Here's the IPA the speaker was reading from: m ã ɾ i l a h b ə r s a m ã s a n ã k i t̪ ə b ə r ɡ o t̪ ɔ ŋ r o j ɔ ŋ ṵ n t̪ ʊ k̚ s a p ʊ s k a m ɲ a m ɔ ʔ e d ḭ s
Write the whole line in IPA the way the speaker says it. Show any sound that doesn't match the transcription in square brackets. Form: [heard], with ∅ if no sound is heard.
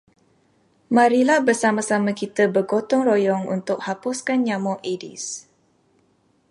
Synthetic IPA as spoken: m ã ɾ i l a h b ə r s a m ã s a [m] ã k i t̪ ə b ə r ɡ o t̪ ɔ ŋ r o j ɔ ŋ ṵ n t̪ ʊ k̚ [h] a p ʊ s k a [n] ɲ a m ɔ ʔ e d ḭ s

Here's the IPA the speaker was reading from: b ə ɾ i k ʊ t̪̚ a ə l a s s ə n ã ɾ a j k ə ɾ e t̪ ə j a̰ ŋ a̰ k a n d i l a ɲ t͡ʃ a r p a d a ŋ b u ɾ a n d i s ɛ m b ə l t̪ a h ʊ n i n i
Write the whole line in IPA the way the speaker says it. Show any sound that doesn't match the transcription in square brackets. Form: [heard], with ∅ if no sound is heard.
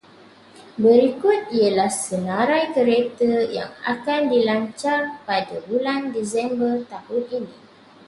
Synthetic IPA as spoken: b ə ɾ i k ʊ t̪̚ [i] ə l a [h] s ə n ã ɾ a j k ə ɾ e t̪ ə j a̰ ŋ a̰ k a n d i l a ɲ t͡ʃ a r p a d a [∅] b u [l] a n d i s ɛ m b ə [r] t̪ a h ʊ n i n i

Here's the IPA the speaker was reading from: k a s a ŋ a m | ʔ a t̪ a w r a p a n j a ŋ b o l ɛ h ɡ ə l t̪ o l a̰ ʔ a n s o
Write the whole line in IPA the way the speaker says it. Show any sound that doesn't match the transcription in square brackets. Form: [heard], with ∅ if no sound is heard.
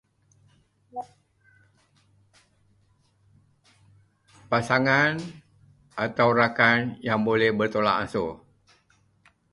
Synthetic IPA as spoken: [p] a s a ŋ a [n] | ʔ a t̪ a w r a [k] a n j a ŋ b o l ɛ h [b] ə [r] t̪ o l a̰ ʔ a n s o

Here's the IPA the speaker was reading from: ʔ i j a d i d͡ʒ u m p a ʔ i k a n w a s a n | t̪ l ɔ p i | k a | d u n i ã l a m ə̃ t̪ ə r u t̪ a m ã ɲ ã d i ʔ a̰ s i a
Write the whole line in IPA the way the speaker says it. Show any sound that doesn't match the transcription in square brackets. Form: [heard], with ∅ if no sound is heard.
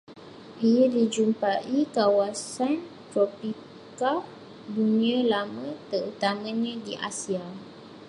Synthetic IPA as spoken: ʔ i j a d i d͡ʒ u m p a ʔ i k a [∅] w a s a n | t̪ [ɾ] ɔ p i | k a | d u n i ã l a m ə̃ t̪ ə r u t̪ a m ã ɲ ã d i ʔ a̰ s i a

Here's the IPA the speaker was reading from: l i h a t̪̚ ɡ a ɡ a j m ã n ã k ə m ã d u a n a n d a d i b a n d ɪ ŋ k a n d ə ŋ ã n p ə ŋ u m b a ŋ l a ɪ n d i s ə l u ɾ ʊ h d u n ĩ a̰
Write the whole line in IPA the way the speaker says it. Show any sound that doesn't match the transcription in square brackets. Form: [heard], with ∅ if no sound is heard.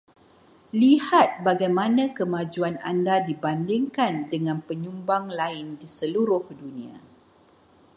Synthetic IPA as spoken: l i h a t̪̚ [b] a ɡ a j m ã n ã k ə m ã [d͡ʒ] u a n a n d a d i b a n d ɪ ŋ k a n d ə ŋ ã n p ə [ɲ] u m b a ŋ l a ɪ n d i s ə l u ɾ ʊ h d u n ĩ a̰

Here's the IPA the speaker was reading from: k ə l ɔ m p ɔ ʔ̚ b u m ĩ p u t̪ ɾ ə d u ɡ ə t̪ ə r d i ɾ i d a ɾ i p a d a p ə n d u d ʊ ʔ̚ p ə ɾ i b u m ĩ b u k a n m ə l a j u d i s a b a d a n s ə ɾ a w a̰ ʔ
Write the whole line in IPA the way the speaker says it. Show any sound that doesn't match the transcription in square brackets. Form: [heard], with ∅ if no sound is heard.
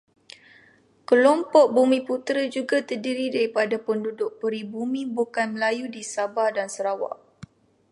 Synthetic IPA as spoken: k ə l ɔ m p ɔ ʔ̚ b u m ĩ p u t̪ ɾ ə [d͡ʒ] u ɡ [a] t̪ ə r d i ɾ i d a ɾ i p a d a p ə n d u d ʊ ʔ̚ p ə ɾ i b u m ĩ b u k a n m ə l a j u d i s a b a d a n s ə ɾ a w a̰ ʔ

